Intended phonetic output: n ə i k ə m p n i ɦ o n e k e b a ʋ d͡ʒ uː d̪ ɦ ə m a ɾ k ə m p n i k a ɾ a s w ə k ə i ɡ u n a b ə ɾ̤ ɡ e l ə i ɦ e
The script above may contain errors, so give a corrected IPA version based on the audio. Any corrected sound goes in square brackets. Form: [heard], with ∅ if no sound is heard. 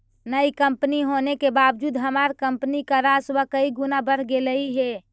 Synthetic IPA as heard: n ə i k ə m p n i ɦ o n e k e b a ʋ d͡ʒ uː d̪ ɦ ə m a ɾ k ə m p n i k a ɾ a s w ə k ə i ɡ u n a b ə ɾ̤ ɡ e l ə i ɦ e